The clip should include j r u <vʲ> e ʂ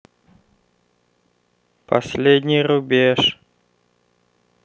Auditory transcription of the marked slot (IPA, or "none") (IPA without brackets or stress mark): bʲ